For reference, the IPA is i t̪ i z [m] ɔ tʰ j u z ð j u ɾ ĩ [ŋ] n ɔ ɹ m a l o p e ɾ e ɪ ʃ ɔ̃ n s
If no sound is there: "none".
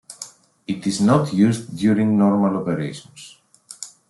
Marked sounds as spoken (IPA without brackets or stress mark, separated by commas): n, ŋ